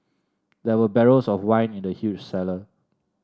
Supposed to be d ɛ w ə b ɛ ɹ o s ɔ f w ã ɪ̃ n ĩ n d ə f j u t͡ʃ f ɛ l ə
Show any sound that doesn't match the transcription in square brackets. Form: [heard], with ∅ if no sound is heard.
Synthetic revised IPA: d ɛ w ə b ɛ ɹ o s ɔ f w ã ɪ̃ n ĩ n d ə [h] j u t͡ʃ [s] ɛ l ə